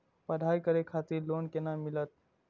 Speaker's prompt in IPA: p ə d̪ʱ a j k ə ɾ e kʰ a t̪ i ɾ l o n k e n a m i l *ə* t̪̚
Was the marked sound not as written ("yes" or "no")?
no